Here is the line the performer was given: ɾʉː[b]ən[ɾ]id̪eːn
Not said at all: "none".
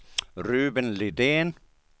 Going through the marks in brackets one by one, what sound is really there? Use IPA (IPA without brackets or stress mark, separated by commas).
b, l